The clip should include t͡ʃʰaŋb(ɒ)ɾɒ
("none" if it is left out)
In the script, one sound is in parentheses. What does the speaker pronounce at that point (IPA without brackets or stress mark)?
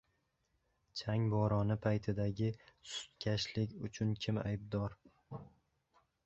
ɒ